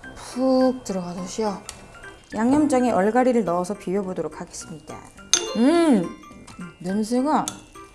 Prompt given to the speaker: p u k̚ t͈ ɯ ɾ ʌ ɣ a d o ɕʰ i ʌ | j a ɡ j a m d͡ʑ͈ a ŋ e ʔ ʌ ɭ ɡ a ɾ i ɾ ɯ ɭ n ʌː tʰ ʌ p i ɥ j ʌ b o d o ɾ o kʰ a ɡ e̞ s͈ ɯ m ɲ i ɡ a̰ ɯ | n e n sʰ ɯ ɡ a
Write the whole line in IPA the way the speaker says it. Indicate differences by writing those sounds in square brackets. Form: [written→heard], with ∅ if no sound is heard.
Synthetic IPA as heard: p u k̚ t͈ ɯ ɾ ʌ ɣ a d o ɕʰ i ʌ | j a [ɡ→ŋ] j [a→ʌ] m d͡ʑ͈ a ŋ e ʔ ʌ ɭ ɡ a ɾ i ɾ ɯ ɭ n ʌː [tʰ→sʰ] ʌ p i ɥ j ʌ b o d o ɾ o kʰ a ɡ e̞ s͈ ɯ m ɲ i [ɡ→d] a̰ ɯ | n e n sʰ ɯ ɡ a